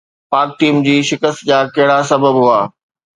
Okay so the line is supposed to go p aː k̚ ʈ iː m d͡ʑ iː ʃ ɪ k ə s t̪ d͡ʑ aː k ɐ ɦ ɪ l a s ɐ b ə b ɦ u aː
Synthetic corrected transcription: p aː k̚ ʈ iː m d͡ʑ iː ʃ ɪ k ə s t̪ d͡ʑ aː k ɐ ɦ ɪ ɽ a s ɐ b ə b ɦ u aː